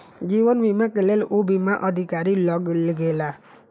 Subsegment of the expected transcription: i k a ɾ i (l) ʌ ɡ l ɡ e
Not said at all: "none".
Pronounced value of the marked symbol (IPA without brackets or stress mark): l